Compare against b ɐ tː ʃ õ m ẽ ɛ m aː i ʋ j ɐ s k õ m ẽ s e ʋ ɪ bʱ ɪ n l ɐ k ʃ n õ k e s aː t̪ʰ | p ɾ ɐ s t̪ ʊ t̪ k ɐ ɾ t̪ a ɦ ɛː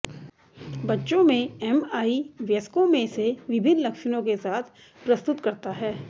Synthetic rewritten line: b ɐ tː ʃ õ m ẽ ɛ m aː i ʋ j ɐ s k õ m ẽ s e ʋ ɪ bʱ ɪ n l ɐ k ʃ n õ k e s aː t̪ʰ | p ɾ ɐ s t̪ ʊ t̪ k ɐ ɾ t̪ a ɦ ɛː